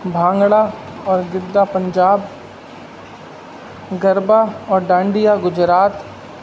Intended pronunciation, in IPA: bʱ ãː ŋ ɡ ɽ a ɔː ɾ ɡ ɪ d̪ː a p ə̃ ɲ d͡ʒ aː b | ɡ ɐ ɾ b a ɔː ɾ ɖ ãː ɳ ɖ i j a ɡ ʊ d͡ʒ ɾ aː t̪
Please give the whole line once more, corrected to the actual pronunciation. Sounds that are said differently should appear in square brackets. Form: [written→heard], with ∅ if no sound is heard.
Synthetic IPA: bʱ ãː ŋ ɡ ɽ a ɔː ɾ ɡ ɪ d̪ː a p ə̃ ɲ d͡ʒ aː b | ɡ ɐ ɾ b a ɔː ɾ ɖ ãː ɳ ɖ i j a ɡ ʊ d͡ʒ ɾ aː t̪